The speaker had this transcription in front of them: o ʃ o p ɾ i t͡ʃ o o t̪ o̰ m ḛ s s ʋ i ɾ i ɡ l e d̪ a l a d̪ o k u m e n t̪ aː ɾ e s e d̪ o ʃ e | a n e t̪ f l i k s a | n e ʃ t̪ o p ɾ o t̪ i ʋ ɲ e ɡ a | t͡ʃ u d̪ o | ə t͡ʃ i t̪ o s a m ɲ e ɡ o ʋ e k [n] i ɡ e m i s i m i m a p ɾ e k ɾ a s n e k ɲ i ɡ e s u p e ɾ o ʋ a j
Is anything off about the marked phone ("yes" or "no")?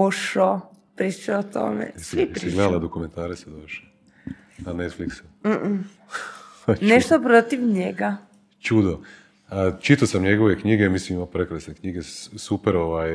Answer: yes